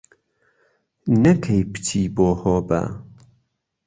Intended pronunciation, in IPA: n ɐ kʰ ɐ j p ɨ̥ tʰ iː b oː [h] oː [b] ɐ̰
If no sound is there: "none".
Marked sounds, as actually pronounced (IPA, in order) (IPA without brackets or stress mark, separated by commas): h, b